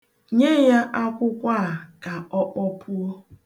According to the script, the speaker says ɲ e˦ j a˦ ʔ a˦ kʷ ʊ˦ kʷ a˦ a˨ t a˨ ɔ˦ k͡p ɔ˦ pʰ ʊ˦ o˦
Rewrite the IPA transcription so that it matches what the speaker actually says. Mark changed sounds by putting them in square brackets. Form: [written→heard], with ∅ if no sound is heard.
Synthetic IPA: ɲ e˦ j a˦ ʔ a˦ kʷ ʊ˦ kʷ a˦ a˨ [t→k] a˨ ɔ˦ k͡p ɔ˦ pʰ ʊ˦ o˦